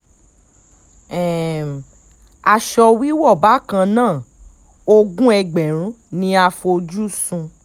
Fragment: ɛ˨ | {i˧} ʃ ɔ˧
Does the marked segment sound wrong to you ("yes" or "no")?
yes